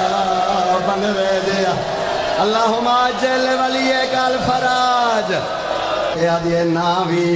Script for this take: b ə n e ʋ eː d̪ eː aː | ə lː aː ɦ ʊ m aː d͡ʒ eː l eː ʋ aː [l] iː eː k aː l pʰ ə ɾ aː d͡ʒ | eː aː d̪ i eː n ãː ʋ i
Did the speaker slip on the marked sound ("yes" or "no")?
no